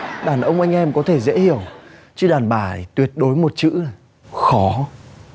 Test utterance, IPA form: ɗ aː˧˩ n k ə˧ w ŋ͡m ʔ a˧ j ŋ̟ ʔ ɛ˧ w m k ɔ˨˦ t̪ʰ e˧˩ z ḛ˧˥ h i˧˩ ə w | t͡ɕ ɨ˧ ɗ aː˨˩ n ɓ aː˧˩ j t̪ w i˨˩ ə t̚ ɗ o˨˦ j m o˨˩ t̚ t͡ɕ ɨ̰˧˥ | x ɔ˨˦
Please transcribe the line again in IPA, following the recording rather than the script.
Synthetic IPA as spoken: ɗ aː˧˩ n ʔ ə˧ w ŋ͡m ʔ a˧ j ŋ̟ ʔ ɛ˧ m k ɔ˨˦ t̪ʰ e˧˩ z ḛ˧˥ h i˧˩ ə w | t͡ɕ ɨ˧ ɗ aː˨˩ n ɓ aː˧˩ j t̪ w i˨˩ ə t̚ ɗ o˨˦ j m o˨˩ t̚ t͡ɕ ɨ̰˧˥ | x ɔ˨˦